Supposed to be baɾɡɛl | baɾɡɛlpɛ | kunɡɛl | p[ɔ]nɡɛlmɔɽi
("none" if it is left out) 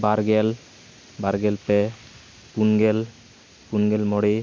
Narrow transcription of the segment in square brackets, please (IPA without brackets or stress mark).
u